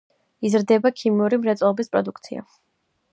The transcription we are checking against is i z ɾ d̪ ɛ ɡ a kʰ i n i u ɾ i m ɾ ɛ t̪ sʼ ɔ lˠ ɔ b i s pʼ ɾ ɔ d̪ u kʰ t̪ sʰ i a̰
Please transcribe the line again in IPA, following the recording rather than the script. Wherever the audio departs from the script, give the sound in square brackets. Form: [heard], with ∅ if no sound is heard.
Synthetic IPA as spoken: i z ɾ d̪ ɛ [b] a kʰ i [m] i u ɾ i m ɾ ɛ t̪ sʼ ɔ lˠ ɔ b i s pʼ ɾ ɔ d̪ u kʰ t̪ sʰ i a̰